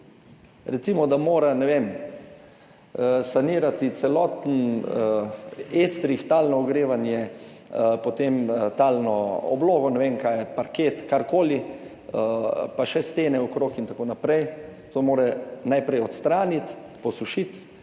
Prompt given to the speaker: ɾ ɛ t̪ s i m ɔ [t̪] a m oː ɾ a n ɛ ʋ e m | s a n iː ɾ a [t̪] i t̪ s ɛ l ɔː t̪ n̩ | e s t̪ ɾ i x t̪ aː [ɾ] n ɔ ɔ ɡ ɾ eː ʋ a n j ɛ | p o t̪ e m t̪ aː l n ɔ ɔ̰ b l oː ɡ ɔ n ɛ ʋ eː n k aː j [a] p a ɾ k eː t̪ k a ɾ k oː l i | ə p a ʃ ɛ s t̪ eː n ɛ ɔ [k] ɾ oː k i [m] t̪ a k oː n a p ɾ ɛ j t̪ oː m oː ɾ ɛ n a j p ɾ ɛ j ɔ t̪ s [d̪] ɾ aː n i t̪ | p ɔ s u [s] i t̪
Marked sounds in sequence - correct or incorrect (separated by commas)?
incorrect, correct, incorrect, incorrect, correct, incorrect, incorrect, incorrect